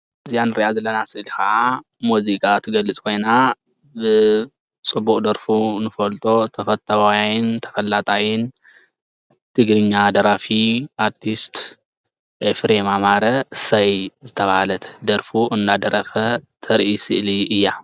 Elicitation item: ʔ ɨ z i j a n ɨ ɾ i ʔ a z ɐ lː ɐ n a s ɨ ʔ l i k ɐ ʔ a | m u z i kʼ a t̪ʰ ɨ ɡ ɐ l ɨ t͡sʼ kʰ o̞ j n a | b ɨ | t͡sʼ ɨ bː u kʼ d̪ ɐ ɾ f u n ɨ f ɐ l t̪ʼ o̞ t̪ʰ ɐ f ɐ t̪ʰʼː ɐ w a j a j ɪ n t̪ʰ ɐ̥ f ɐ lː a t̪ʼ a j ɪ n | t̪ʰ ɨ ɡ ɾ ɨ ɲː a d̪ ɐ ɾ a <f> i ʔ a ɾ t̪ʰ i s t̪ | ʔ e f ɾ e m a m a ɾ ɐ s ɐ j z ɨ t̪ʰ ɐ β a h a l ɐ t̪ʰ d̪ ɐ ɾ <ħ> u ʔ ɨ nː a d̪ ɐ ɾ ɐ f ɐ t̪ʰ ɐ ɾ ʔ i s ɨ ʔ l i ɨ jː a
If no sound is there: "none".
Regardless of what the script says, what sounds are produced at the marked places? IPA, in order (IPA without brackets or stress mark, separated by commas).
f, f